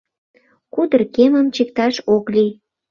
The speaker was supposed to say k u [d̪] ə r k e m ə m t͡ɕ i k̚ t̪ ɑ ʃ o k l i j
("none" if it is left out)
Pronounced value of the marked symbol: d̪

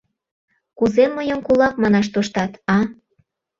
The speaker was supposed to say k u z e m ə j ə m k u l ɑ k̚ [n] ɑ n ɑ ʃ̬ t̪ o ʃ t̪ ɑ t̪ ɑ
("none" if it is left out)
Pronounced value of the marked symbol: m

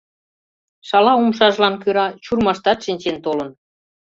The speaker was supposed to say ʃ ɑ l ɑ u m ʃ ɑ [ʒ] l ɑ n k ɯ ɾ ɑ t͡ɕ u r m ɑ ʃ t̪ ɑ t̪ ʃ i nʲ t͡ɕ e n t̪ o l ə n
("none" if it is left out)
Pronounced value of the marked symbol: ʒ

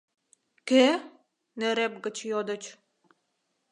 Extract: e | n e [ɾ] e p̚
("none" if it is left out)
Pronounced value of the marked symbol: ɾ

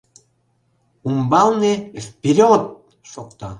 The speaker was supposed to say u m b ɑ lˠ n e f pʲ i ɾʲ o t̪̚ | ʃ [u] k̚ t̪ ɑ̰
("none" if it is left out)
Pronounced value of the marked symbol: o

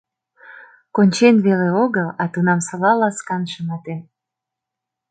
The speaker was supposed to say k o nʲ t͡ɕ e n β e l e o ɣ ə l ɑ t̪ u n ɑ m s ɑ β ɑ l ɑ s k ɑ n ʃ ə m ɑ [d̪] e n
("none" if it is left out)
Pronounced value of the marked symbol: t̪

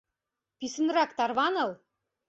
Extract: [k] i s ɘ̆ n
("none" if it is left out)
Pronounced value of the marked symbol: p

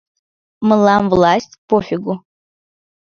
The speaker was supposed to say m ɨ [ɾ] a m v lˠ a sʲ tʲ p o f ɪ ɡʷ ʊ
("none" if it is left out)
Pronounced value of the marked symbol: l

